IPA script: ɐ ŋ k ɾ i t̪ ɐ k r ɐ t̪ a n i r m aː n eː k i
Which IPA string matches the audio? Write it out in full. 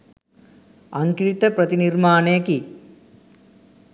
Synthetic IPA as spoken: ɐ ŋ k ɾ i t̪ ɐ p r ɐ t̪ i n i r m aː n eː k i

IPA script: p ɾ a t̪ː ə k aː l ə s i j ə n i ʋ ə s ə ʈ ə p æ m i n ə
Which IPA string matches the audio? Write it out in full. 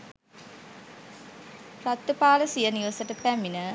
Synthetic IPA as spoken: p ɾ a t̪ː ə p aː l ə s i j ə n i ʋ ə s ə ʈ ə p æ m i n ə

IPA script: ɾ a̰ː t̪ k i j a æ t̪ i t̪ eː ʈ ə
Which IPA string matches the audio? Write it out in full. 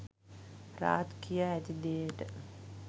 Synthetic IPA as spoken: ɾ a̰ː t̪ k i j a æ t̪ i d̪ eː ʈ ə

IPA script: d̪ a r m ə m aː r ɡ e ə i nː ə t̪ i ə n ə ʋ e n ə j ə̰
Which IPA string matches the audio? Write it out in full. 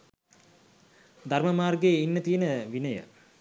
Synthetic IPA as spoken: d̪ a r m ə m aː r ɡ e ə i nː ə t̪ i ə n ə ʋ i n ə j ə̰

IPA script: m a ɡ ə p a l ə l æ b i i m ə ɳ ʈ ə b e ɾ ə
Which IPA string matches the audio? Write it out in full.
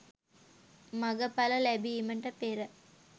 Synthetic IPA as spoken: m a ɡ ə p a l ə l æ b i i m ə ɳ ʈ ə p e ɾ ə

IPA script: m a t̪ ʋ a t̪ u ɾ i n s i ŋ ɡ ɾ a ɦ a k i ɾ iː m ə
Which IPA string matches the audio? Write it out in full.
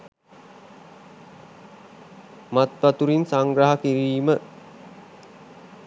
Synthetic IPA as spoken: m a t̪ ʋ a t̪ u ɾ i n s a ŋ ɡ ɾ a ɦ a k i ɾ iː m ə

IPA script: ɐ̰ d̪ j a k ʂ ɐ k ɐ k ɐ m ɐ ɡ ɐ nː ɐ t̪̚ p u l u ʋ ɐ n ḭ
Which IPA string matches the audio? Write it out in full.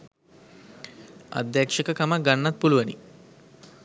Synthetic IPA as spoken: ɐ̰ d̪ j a k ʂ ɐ k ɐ k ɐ m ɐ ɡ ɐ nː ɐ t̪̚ p u l u ʋ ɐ n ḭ

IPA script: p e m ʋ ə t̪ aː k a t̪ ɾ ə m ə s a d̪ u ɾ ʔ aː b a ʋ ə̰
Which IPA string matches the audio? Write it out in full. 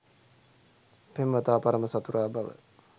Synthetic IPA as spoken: p e m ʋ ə t̪ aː p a ɾ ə m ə s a t̪ u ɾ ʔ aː b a ʋ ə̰

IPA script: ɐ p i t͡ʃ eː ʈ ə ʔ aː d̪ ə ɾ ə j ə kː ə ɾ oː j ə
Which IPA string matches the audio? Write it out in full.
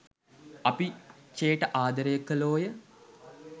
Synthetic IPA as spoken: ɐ p i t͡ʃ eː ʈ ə ʔ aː d̪ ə ɾ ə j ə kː ə l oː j ə

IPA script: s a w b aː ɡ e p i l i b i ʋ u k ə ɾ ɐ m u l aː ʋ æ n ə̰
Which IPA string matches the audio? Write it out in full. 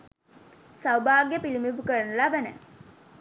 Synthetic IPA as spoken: s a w b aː ɡ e p i l i m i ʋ u k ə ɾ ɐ n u l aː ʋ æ n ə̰

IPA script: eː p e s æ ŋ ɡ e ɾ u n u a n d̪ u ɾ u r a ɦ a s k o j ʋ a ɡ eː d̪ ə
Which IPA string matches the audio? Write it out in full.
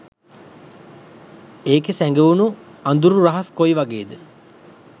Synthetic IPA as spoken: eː k e s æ ŋ ɡ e u n u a n d̪ u ɾ u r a ɦ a s k o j ʋ a ɡ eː d̪ ə

